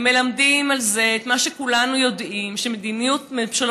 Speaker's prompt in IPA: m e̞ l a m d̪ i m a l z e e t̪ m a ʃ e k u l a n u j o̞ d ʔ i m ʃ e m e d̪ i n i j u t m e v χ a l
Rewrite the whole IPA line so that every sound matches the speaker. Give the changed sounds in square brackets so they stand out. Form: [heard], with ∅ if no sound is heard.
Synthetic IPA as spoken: m e̞ l a m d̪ i m a l z e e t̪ m a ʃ e k u l a n u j o̞ d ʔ i m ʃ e m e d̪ i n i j u t m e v [ʃ] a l